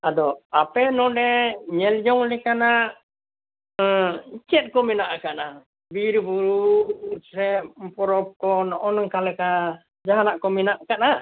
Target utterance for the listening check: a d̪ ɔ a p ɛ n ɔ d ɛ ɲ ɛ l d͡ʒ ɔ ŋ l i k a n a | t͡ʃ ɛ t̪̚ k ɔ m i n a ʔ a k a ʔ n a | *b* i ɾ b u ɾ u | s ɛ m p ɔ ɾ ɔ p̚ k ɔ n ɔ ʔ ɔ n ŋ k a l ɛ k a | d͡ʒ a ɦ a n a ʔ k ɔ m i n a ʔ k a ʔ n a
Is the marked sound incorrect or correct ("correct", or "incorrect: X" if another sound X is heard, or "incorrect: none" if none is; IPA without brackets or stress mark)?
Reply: correct